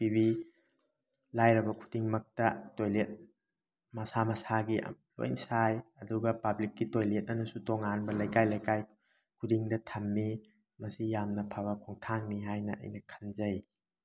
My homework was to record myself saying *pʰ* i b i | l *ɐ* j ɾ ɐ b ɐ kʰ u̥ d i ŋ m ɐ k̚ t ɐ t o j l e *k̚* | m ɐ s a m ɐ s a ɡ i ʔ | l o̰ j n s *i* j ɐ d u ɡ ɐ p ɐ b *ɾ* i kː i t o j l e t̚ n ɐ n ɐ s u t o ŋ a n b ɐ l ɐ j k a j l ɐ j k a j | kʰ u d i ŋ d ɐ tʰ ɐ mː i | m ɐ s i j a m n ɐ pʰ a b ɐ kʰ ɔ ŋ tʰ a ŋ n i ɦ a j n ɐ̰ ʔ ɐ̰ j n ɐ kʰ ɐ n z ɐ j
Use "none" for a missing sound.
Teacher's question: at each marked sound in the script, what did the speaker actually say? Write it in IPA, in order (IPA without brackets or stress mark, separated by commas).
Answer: p, a, t̚, a, l